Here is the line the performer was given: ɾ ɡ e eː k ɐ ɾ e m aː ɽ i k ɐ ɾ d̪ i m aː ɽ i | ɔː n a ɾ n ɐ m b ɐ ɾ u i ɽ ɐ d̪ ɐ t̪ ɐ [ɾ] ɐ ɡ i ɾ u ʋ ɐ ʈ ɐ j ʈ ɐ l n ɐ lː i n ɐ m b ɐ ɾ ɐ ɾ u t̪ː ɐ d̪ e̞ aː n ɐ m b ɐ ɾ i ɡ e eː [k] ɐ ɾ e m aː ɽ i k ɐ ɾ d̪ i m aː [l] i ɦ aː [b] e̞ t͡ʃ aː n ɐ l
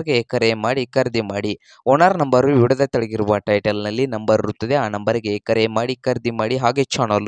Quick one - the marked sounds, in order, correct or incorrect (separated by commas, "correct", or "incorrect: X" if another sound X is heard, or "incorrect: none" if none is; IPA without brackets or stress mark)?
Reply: incorrect: ɭ, correct, incorrect: ɽ, incorrect: ɡ